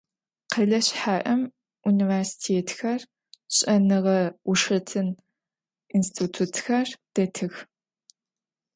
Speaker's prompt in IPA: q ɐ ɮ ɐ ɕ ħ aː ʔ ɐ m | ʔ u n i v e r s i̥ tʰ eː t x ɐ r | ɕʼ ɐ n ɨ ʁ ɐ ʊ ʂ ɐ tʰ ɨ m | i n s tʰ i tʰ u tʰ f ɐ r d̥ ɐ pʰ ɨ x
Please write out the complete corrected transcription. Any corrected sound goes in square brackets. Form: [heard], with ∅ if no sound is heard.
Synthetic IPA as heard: q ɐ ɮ ɐ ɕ ħ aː ʔ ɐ m | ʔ u n i v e r s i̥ tʰ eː t x ɐ r | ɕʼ ɐ n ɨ ʁ ɐ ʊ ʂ ɐ tʰ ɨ [n] | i n s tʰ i tʰ u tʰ [x] ɐ r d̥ ɐ [tʰ] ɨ x